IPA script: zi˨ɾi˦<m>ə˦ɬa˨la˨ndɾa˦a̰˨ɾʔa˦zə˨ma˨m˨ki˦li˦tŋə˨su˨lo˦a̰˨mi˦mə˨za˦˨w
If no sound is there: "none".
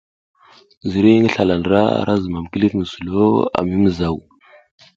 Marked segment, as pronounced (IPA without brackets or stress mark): ŋ